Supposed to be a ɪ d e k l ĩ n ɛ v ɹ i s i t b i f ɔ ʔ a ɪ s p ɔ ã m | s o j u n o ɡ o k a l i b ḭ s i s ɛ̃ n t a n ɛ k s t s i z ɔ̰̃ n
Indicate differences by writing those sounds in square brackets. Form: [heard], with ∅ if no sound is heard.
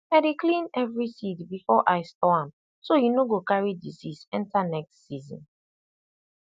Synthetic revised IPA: a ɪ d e k l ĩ n ɛ v ɹ i s i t b i f ɔ ʔ a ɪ s [t] ɔ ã m | s o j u n o ɡ o k a [ɹ] i [d] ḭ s i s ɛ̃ n t a n ɛ k s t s i z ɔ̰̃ n